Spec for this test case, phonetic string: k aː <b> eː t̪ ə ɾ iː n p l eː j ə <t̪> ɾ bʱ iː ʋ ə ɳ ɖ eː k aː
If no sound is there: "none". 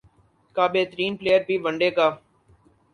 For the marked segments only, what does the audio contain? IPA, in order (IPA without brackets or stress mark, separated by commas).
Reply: b, none